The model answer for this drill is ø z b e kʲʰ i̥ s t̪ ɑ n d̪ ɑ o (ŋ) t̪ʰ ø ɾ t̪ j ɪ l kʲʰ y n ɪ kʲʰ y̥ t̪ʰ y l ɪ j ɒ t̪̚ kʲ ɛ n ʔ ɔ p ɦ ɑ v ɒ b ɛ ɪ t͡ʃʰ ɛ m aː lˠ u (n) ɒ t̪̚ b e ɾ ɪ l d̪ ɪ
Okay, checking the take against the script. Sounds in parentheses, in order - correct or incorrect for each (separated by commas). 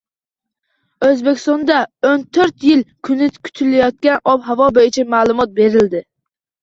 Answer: incorrect, incorrect